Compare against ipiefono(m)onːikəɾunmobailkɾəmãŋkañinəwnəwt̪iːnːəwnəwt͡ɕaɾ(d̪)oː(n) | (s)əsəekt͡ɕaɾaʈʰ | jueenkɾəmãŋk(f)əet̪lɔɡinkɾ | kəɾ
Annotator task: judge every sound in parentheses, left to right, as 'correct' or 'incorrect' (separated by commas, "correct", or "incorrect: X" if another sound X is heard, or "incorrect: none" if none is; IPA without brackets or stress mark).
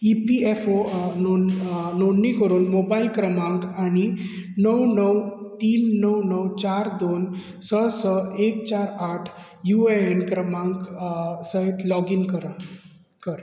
incorrect: n, correct, correct, correct, incorrect: s